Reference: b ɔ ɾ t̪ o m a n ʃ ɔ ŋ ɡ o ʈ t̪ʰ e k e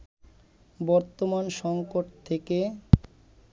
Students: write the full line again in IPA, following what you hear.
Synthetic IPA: b ɔ ɾ t̪ o m a n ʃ ɔ ŋ k o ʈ t̪ʰ e k e